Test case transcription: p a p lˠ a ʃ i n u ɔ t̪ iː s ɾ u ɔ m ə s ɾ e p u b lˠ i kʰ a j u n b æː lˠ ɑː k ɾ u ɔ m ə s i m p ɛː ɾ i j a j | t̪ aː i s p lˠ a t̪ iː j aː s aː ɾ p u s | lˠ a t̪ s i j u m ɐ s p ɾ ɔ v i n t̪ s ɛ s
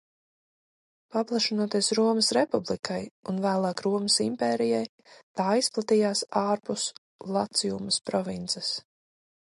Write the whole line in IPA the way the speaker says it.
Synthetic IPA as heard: p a p lˠ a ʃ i n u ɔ t̪ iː s ɾ u ɔ m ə s ɾ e p u b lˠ i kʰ a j u n v æː lˠ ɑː k ɾ u ɔ m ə s i m p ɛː ɾ i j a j | t̪ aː i s p lˠ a t̪ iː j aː s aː ɾ p u s | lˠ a t̪ s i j u m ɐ s p ɾ ɔ v i n t̪ s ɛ s